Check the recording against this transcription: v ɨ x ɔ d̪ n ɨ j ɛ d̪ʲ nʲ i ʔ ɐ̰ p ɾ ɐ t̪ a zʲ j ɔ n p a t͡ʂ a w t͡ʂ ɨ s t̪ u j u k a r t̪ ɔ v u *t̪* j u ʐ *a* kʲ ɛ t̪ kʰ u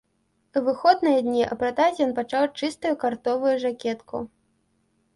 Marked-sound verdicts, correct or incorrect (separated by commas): incorrect, correct